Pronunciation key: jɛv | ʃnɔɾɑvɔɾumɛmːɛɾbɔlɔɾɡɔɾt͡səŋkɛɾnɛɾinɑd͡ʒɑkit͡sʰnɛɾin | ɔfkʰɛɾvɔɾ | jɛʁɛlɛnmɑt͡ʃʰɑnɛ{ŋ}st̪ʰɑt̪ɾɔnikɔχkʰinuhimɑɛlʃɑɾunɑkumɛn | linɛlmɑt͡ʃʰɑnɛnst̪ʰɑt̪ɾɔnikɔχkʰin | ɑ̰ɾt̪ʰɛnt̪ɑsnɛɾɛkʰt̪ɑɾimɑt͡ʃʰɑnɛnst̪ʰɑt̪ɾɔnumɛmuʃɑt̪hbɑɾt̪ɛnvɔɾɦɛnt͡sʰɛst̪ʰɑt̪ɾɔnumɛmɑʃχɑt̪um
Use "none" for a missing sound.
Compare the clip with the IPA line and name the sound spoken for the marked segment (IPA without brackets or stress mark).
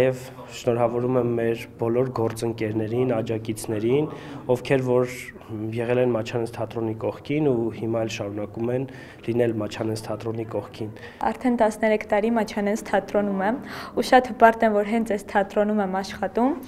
n